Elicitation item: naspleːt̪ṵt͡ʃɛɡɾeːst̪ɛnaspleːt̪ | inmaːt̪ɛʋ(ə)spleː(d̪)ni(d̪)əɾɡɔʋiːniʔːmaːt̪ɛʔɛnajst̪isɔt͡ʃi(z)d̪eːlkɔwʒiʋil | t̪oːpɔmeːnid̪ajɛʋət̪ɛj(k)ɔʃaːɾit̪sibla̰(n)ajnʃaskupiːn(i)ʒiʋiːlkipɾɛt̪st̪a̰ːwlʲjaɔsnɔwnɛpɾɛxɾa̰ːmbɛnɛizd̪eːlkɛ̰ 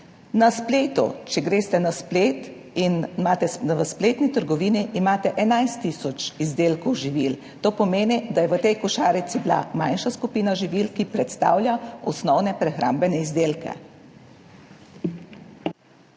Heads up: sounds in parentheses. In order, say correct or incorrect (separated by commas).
correct, incorrect, incorrect, correct, correct, incorrect, incorrect